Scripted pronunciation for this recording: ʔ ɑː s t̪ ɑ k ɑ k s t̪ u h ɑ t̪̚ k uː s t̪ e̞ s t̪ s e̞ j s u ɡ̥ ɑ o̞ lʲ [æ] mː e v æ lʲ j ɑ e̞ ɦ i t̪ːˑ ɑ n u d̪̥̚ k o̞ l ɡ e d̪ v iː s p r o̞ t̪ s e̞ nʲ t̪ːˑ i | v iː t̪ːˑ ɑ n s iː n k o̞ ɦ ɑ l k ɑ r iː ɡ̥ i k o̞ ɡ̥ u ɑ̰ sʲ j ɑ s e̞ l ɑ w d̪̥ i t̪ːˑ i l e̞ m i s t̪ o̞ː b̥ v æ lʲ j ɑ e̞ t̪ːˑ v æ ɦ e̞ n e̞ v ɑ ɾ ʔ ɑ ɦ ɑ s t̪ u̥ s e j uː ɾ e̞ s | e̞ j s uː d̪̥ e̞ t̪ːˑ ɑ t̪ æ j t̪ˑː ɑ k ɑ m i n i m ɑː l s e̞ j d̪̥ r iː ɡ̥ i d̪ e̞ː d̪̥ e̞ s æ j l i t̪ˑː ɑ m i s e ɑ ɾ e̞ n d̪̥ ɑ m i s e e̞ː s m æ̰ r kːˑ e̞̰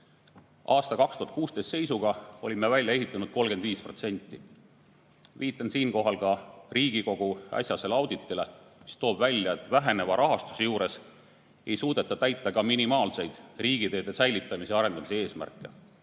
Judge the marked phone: incorrect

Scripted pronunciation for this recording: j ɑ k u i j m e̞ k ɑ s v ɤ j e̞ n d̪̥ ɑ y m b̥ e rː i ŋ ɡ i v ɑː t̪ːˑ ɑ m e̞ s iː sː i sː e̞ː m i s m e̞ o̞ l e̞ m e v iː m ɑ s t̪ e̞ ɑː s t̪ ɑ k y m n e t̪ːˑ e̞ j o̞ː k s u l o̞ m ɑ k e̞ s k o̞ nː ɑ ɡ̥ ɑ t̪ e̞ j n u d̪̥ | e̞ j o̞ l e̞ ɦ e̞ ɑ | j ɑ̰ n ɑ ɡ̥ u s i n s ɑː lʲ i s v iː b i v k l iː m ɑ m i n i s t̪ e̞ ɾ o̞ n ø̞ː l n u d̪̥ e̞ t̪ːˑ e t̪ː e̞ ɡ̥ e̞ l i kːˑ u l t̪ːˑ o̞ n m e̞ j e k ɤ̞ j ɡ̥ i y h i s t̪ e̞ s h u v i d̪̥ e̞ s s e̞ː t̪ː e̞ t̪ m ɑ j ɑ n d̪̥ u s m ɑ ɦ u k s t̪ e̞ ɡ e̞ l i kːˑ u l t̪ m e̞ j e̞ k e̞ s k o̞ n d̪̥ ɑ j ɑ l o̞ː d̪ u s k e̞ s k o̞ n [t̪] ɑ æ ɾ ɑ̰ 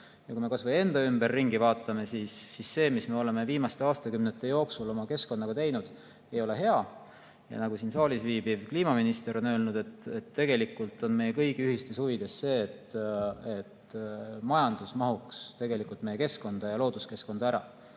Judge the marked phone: incorrect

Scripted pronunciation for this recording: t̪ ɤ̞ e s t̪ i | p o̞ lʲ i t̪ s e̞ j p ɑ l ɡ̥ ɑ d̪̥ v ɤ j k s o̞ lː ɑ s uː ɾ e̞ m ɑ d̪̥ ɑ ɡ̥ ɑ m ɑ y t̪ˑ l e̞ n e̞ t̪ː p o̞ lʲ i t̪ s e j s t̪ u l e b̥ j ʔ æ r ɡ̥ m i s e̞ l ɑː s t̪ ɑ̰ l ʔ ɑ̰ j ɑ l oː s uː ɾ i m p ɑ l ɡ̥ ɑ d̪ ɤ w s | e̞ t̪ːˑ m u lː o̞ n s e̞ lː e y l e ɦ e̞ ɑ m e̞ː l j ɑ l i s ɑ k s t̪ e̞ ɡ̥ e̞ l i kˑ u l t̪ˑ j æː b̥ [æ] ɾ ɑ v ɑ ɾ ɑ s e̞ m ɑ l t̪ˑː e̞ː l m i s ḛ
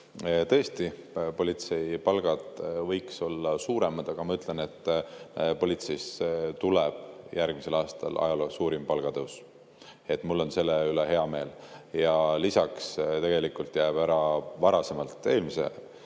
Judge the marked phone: correct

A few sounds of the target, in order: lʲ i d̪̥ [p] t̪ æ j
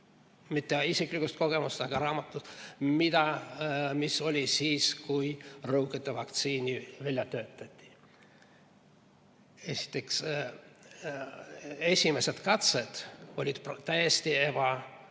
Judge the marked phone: correct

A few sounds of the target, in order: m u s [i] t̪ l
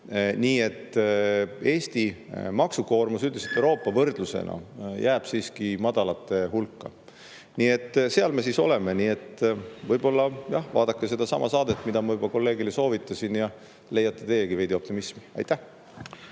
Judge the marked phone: incorrect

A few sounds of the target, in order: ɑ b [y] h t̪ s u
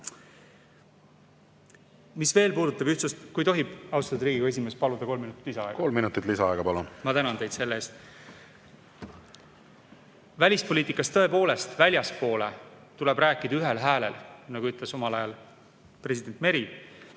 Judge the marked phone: correct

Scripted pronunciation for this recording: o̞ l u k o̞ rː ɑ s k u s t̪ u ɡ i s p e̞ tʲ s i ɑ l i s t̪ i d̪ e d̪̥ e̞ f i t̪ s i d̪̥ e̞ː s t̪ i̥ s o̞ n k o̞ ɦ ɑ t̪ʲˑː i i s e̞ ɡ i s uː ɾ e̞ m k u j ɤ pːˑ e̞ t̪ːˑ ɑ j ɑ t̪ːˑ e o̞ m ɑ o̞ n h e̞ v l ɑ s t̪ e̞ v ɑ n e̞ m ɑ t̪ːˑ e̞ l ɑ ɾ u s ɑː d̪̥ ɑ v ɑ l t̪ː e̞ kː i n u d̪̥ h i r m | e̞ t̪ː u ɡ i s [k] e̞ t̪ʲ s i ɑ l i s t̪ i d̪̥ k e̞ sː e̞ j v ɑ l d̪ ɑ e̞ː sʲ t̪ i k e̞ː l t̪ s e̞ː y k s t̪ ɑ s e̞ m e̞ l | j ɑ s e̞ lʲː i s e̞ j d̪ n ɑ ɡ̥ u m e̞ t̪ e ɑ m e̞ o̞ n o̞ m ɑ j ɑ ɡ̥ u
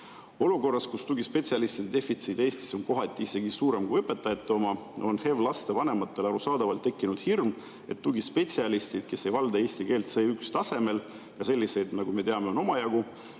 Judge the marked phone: incorrect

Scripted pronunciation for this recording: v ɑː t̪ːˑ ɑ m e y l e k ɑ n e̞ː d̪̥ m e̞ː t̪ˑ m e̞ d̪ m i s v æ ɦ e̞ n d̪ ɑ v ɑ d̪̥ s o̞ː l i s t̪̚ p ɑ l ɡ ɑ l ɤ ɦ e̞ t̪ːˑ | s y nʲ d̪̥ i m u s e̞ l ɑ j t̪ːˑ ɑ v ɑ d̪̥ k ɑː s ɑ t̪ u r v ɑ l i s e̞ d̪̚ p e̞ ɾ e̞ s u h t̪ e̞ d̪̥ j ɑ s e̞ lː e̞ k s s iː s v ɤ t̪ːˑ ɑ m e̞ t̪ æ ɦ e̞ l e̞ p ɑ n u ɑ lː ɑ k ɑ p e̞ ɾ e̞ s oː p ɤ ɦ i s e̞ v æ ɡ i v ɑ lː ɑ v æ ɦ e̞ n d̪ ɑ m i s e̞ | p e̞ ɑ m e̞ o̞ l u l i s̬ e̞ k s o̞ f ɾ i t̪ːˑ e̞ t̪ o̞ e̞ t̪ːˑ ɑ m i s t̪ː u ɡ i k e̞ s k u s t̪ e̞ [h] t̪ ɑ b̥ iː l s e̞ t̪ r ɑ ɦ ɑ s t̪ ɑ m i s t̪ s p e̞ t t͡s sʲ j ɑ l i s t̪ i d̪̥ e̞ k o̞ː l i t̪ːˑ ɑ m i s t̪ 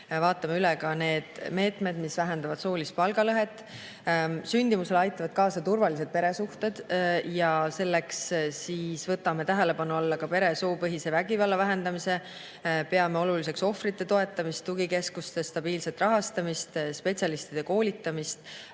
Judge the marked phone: incorrect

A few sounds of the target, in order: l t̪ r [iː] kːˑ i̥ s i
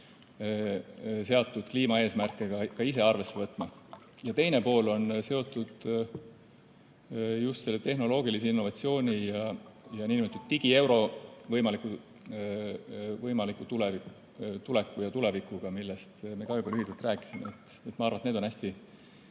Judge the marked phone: incorrect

